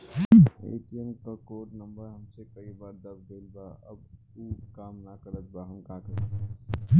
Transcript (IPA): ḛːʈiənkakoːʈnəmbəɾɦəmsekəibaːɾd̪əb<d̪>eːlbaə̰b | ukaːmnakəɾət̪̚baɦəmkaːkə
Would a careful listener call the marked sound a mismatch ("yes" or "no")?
no